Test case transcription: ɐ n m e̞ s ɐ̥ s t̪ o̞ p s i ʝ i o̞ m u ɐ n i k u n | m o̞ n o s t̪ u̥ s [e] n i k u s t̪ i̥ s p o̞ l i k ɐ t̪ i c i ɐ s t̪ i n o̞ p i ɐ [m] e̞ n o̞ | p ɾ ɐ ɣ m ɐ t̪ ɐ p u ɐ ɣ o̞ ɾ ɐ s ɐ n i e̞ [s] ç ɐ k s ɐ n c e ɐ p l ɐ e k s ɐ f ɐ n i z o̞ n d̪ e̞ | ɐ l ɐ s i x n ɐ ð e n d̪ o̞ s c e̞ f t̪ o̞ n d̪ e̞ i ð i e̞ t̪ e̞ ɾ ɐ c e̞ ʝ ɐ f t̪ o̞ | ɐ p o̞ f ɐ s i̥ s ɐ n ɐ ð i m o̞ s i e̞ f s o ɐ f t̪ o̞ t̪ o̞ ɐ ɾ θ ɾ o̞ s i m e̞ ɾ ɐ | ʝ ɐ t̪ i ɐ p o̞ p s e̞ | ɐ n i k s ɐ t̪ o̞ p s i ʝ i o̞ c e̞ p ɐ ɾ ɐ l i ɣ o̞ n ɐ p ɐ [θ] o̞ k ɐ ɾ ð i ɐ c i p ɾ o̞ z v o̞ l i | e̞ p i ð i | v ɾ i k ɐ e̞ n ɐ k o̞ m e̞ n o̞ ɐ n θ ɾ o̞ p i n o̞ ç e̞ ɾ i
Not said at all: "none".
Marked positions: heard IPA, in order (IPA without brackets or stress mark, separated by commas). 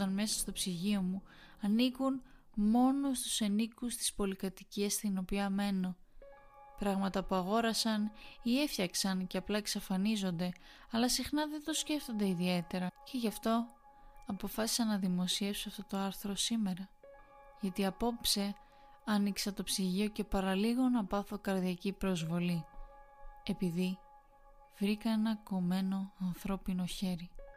e, m, f, θ